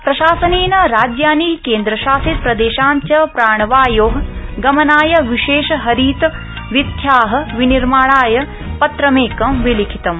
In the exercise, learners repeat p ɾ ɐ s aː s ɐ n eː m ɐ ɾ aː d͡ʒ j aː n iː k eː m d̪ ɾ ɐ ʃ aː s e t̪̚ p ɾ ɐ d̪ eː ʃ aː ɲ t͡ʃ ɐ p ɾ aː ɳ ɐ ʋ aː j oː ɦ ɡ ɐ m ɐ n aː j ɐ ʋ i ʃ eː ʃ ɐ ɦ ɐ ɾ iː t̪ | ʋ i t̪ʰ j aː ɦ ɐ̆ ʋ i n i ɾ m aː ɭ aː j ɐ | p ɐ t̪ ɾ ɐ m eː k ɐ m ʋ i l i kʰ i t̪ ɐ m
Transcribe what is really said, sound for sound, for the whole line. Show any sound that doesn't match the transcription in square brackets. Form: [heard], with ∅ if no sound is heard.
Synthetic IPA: p ɾ ɐ [ʃ] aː s ɐ n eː [n] ɐ ɾ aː d͡ʒ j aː n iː k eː [n] d̪ ɾ ɐ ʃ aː s [i] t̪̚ p ɾ ɐ d̪ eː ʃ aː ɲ t͡ʃ ɐ p ɾ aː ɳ ɐ ʋ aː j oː ɦ ɡ ɐ m ɐ n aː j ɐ ʋ i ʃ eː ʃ ɐ ɦ ɐ ɾ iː t̪ | ʋ i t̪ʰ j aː ɦ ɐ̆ ʋ i n i ɾ m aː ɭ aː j ɐ | p ɐ t̪ ɾ ɐ m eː k ɐ m ʋ i l i kʰ i t̪ ɐ m